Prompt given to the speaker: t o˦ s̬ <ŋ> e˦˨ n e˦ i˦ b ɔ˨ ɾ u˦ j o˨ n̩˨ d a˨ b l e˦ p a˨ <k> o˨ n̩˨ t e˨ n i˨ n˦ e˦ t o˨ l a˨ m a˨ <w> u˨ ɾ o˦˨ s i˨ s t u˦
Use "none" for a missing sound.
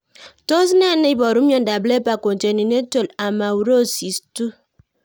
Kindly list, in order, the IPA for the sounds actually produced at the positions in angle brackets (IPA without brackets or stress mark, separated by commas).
n, k, w